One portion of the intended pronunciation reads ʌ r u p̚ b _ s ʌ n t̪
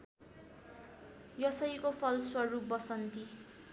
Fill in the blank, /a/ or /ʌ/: ʌ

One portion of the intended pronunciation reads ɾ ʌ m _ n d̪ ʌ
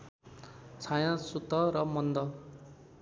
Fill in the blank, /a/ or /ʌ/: ʌ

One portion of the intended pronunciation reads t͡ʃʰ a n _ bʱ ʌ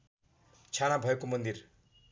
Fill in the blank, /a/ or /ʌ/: a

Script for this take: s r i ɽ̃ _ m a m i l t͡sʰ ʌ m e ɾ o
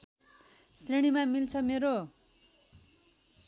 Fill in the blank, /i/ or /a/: i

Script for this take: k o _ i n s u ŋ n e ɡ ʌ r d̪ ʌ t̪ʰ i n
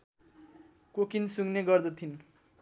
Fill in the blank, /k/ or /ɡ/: k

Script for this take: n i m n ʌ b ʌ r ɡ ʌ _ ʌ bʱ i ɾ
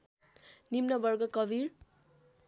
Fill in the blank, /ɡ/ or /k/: k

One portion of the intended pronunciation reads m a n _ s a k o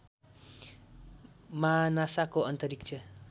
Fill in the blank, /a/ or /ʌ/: a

